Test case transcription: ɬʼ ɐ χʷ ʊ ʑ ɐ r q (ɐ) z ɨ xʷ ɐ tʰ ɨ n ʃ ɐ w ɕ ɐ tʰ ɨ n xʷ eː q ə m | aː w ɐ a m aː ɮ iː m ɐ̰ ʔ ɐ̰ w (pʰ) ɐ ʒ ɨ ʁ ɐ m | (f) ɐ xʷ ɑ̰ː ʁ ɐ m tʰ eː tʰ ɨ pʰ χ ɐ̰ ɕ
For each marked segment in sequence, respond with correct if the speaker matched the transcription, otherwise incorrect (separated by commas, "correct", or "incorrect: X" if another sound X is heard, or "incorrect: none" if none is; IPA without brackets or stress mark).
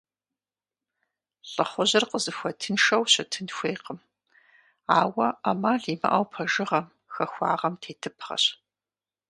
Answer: incorrect: ə, correct, incorrect: x